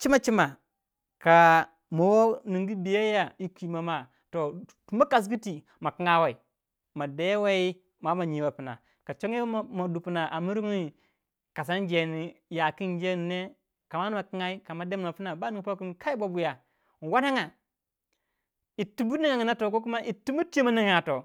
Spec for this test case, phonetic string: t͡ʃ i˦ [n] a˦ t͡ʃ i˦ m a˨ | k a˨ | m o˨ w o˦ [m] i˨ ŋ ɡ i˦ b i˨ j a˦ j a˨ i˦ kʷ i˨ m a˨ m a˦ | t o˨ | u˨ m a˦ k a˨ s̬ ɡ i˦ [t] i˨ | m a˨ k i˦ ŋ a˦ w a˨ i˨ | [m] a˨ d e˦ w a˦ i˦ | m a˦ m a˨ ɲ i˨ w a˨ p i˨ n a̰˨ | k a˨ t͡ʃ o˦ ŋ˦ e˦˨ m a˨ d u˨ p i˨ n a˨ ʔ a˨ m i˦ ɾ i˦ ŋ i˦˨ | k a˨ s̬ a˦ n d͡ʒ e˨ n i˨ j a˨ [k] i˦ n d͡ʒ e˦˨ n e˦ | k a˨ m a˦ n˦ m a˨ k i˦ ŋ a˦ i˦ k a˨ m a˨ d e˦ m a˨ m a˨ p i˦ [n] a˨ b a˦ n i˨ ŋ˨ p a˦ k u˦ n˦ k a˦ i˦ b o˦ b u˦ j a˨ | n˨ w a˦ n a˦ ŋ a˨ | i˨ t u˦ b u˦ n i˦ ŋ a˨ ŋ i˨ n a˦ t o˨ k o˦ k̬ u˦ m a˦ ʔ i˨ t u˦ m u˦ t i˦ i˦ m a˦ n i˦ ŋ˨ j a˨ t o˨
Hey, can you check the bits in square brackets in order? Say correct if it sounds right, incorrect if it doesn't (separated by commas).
incorrect, incorrect, correct, correct, correct, correct